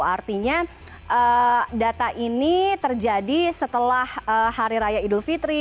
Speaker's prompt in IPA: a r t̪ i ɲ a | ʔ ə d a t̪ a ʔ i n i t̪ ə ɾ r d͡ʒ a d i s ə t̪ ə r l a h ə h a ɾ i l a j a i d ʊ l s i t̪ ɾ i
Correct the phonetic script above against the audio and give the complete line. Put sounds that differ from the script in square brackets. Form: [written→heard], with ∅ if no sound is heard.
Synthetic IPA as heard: a r t̪ i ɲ a | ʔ ə d a t̪ a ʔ i n i t̪ ə [ɾ→∅] r d͡ʒ a d i s ə t̪ ə [r→∅] l a h ə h a ɾ i [l→ɾ] a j a i d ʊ l [s→f] i t̪ ɾ i